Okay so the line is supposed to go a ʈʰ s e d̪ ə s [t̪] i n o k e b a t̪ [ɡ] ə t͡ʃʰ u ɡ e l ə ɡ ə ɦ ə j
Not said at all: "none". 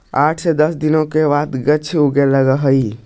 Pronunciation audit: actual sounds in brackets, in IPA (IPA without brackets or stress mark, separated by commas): d̪, ɡ